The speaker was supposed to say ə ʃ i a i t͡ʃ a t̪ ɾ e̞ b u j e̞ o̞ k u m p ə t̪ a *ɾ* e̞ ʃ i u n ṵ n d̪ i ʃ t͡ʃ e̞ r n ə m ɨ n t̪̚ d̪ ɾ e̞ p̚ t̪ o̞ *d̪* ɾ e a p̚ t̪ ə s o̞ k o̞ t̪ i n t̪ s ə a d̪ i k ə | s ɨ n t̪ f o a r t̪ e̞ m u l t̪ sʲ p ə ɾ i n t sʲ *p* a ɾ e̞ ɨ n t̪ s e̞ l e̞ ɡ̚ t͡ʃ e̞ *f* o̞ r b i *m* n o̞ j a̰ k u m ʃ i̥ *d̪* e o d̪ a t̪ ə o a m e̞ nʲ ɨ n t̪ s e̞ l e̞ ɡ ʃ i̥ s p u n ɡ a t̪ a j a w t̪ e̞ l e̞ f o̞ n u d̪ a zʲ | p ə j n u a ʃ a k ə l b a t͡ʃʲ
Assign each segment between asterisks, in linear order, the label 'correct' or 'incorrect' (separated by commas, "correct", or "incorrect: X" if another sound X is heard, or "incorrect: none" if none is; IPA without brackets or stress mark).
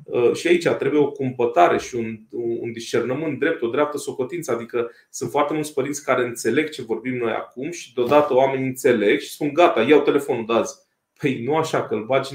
correct, correct, incorrect: k, incorrect: v, correct, correct